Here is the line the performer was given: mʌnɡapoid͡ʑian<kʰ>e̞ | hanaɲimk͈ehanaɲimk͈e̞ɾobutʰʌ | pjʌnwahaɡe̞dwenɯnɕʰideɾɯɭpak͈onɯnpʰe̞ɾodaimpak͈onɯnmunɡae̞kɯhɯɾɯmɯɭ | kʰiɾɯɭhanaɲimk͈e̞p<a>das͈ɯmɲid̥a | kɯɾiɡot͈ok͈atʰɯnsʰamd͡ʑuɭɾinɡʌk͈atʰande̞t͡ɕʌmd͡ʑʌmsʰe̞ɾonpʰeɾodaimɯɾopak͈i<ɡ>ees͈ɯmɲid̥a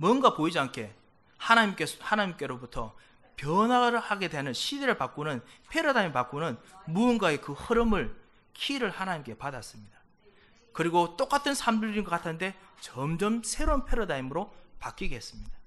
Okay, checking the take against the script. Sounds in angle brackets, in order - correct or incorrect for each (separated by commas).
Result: correct, correct, correct